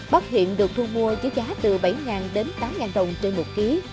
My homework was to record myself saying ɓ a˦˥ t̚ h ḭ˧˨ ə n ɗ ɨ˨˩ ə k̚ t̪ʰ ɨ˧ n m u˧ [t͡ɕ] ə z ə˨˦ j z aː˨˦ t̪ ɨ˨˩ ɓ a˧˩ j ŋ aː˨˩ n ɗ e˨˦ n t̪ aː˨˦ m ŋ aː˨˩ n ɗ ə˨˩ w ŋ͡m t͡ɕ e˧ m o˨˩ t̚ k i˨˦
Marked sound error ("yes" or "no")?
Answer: yes